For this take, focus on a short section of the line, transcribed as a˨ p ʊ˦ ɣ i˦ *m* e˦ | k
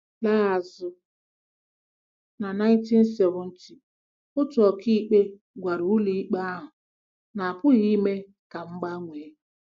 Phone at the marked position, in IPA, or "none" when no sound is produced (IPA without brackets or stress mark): m